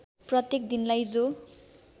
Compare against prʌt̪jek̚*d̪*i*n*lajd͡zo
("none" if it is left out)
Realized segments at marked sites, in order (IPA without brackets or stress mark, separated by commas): d̪, n